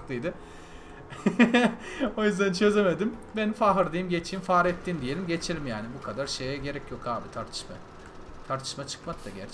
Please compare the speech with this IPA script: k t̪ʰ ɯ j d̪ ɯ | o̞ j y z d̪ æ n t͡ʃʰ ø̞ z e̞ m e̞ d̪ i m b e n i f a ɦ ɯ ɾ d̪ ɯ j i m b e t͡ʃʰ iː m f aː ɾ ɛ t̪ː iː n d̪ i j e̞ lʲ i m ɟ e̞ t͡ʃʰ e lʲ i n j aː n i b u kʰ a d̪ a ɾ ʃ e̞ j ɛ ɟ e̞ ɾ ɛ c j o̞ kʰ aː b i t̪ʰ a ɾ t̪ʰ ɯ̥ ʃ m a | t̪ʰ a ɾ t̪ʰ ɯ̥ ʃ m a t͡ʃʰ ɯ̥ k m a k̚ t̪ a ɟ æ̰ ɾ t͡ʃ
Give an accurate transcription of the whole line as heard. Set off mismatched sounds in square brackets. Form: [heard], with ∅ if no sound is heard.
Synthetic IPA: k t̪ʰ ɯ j d̪ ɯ | o̞ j y z d̪ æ n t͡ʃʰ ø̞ z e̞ m e̞ d̪ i m b e n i f a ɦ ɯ ɾ d̪ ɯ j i m [ɟ] e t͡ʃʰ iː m f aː ɾ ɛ t̪ː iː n d̪ i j e̞ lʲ i m ɟ e̞ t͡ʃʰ e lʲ i [m] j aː n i b u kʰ a d̪ a ɾ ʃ e̞ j ɛ ɟ e̞ ɾ ɛ c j o̞ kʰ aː b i t̪ʰ a ɾ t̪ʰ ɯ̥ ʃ m a | t̪ʰ a ɾ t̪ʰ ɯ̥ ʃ m a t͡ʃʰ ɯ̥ k m a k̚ t̪ a ɟ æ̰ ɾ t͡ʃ